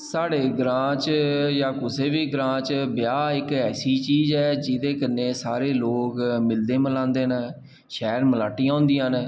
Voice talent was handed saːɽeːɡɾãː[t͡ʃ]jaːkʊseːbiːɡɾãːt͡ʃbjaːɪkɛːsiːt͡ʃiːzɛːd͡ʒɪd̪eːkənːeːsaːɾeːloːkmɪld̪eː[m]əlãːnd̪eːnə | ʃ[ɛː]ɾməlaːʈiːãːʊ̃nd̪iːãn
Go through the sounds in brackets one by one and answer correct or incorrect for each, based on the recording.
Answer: correct, correct, correct

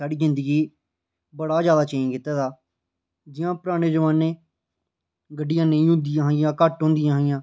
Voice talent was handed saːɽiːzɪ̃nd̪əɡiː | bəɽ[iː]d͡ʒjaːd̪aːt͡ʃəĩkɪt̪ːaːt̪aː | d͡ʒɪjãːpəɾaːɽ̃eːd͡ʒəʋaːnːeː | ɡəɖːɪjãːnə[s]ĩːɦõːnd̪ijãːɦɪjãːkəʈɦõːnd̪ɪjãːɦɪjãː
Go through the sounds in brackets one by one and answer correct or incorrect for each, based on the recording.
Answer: incorrect: aː, incorrect: none

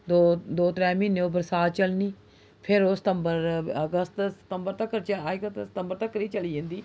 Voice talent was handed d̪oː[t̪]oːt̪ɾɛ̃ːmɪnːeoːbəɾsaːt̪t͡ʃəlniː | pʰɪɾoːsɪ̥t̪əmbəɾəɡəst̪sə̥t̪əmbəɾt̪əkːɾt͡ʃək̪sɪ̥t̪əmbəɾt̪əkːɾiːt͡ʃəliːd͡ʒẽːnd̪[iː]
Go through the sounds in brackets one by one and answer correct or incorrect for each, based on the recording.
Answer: incorrect: d̪, correct

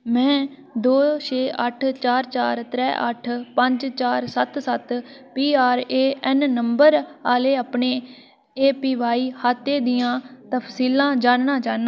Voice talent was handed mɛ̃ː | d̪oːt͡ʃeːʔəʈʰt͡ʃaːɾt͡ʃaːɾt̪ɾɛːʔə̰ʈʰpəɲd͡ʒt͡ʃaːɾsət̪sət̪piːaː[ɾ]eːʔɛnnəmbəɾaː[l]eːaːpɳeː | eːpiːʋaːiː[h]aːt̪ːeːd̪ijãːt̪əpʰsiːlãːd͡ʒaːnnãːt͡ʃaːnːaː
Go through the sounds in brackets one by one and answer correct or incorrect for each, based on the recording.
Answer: correct, correct, correct

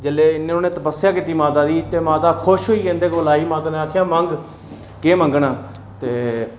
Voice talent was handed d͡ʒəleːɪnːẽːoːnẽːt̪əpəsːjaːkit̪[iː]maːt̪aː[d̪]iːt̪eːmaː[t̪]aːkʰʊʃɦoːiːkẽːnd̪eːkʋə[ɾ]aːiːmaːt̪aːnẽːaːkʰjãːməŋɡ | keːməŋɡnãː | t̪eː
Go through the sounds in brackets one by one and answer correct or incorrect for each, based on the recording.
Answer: correct, correct, correct, incorrect: l

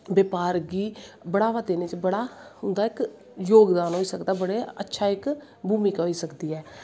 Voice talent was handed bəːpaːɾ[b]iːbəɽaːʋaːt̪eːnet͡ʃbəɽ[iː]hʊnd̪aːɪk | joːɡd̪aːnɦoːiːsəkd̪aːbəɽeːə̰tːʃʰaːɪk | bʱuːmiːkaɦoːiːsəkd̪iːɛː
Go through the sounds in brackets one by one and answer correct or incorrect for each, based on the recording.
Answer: incorrect: ɡ, incorrect: aː

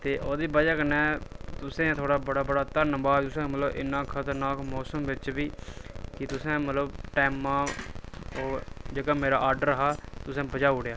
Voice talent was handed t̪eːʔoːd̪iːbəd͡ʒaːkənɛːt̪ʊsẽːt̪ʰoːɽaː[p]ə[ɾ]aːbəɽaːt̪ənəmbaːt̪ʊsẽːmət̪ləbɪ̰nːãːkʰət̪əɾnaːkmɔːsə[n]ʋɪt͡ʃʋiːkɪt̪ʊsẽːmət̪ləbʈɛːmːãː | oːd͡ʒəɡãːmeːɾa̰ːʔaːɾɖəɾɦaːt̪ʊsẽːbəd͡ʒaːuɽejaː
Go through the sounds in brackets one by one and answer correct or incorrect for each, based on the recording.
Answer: incorrect: b, incorrect: ɽ, incorrect: m

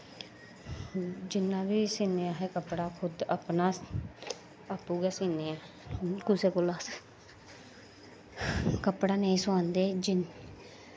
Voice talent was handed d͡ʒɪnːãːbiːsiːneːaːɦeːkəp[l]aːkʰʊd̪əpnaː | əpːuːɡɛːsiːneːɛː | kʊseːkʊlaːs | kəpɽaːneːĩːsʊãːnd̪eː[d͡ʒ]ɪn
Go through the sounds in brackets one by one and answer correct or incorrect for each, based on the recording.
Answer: incorrect: ɽ, correct

